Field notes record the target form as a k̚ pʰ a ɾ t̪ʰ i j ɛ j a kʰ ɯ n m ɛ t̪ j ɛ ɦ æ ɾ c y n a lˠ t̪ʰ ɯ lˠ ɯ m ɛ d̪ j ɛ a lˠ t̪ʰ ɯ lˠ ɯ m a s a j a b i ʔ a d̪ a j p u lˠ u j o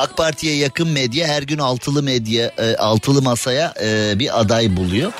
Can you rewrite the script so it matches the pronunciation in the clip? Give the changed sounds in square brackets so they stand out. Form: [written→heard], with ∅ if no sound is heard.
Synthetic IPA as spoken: a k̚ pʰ a ɾ t̪ʰ i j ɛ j a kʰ ɯ n m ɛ [t̪→d̪] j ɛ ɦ æ ɾ [c→ɟ] y n a lˠ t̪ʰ ɯ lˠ ɯ m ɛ d̪ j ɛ a lˠ t̪ʰ ɯ lˠ ɯ m a s a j a b i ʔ a d̪ a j [p→b] u lˠ u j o